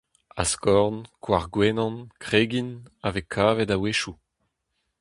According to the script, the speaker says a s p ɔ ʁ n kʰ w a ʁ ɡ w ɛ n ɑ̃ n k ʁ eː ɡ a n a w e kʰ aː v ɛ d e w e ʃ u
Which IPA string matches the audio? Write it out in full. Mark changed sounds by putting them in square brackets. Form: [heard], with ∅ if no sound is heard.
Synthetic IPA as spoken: a s [k] ɔ ʁ n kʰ w a ʁ ɡ w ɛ n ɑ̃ n k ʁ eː ɡ [i] n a [v] e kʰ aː v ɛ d [a] w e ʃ u